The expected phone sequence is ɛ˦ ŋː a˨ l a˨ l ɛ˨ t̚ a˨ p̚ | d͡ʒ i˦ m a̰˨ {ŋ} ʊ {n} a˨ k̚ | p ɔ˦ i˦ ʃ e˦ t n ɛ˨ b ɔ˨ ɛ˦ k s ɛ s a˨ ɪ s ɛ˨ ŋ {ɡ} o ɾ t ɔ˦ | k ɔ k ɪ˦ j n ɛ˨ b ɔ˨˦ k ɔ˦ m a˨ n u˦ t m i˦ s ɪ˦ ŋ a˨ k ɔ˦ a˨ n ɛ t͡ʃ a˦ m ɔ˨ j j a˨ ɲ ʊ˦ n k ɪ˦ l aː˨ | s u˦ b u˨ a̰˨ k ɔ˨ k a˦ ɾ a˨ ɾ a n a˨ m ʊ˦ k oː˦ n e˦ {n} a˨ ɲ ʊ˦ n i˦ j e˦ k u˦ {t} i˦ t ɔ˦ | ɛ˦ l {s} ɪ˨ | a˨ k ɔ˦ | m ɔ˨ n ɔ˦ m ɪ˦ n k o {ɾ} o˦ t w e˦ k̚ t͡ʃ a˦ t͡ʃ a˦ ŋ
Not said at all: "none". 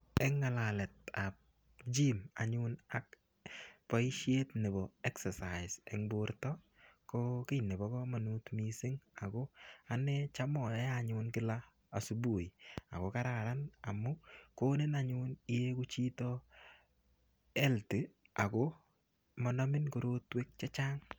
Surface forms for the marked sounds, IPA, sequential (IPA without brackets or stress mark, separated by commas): ɲ, n, b, n, t͡ʃ, t, ɾ